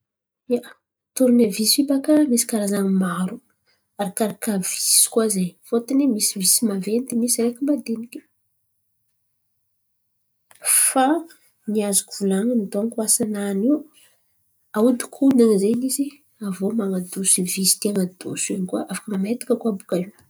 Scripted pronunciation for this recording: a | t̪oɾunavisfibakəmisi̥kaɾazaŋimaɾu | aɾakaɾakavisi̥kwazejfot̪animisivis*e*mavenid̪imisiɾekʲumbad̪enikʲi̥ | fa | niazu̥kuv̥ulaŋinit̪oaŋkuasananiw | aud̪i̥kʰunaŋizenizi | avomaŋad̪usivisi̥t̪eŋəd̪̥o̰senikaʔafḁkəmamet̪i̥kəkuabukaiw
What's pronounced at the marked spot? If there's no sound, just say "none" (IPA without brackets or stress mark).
i